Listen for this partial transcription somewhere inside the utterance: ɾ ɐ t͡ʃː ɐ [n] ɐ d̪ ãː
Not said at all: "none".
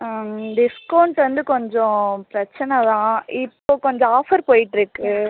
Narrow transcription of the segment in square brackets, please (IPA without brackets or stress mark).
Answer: n